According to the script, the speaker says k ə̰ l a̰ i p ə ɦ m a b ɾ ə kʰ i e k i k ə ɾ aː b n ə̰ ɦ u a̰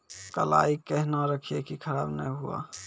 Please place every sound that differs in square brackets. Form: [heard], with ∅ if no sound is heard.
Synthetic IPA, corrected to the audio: k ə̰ l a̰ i [k] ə ɦ [n] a [∅] ɾ ə kʰ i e k i [kʰ] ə ɾ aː b n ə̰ ɦ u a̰